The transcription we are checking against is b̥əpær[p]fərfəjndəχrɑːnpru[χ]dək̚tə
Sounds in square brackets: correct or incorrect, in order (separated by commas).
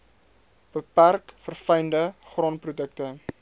incorrect, incorrect